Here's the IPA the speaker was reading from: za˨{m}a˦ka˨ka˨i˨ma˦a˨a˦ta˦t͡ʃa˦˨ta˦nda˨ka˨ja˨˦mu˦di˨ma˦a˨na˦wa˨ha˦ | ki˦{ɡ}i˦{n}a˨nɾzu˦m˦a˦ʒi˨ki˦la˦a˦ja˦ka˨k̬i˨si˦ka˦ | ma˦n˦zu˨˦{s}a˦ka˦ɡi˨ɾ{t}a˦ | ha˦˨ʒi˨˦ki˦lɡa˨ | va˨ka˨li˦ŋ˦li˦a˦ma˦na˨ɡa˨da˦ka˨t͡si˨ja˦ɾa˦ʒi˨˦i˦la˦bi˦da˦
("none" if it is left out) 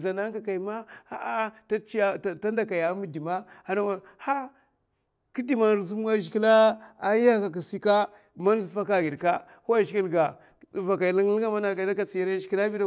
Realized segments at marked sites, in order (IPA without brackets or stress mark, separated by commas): n, d, m, f, k